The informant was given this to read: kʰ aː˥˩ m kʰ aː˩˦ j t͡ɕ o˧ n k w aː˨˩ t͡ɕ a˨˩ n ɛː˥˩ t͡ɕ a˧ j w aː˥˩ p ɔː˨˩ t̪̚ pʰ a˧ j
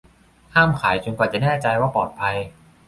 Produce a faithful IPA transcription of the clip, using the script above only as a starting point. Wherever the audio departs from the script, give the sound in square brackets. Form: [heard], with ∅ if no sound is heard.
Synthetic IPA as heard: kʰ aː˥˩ m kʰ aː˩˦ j t͡ɕ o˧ n k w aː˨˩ t͡ɕ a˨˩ n ɛː˥˩ t͡ɕ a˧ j w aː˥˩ p ɔː˨˩ t̪̚ pʰ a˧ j